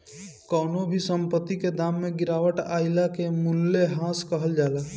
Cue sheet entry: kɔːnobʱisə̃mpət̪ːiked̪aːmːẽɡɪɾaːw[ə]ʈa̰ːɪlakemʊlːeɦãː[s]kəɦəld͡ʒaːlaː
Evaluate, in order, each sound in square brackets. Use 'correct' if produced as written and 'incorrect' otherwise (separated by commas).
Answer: correct, correct